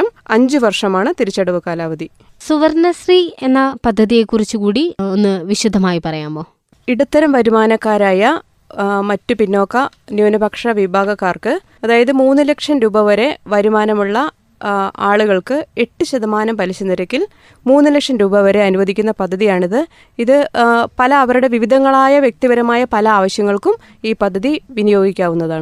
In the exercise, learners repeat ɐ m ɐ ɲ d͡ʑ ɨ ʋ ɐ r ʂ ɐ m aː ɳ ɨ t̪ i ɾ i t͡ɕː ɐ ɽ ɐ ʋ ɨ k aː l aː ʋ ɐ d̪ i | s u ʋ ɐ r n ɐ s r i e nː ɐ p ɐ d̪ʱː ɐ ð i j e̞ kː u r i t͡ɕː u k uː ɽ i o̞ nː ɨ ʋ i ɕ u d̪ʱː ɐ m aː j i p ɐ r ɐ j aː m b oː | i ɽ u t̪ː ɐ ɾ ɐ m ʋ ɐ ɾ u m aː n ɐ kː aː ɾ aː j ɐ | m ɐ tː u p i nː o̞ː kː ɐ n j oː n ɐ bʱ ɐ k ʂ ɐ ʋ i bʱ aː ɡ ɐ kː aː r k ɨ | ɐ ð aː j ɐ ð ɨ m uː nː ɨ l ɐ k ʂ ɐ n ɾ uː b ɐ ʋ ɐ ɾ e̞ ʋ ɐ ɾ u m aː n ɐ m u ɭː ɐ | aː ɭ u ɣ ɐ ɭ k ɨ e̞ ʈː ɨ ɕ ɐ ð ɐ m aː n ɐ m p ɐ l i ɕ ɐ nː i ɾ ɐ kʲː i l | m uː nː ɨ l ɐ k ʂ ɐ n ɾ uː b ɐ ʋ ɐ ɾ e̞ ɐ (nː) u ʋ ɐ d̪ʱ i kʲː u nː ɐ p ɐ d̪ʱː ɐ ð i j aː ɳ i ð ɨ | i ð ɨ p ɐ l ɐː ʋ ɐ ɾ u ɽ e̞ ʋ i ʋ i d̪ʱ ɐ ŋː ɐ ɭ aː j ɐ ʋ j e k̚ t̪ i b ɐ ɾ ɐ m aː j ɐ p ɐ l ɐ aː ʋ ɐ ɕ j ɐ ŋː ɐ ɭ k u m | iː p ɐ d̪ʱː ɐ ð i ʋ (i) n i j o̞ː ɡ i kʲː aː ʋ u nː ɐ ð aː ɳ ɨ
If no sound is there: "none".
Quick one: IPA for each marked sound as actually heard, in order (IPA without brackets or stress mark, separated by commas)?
n, i